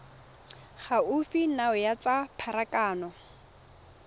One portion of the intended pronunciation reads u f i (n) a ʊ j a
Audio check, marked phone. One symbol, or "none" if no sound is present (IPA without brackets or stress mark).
n